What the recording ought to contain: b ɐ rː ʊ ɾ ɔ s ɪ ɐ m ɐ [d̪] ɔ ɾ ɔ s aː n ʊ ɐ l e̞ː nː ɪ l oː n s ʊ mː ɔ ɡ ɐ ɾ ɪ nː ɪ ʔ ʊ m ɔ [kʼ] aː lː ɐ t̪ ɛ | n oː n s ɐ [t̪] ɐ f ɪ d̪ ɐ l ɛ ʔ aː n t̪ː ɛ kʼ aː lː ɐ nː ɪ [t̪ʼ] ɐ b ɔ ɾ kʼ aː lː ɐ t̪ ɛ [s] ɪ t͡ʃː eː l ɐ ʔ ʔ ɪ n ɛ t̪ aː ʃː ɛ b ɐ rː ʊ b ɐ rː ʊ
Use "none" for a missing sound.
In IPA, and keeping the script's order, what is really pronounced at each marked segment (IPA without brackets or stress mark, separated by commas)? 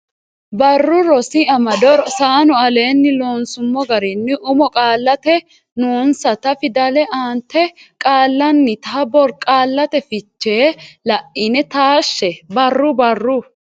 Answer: d̪, kʼ, t̪, t̪, f